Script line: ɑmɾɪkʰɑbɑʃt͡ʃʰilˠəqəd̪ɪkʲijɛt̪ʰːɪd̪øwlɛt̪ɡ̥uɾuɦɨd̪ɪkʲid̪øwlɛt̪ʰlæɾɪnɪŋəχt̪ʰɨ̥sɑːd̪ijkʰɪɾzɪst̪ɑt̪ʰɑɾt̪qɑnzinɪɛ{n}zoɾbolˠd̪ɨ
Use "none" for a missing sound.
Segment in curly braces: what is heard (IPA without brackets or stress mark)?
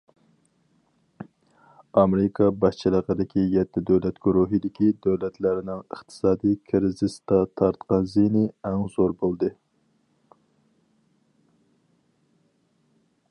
ŋ